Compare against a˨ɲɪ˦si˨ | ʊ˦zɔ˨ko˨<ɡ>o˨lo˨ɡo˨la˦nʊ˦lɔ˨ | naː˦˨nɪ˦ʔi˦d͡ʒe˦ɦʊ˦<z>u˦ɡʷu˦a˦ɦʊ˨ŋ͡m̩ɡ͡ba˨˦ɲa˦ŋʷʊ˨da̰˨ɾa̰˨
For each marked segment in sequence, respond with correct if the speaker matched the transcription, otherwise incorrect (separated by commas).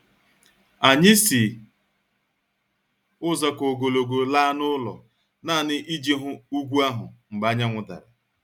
correct, incorrect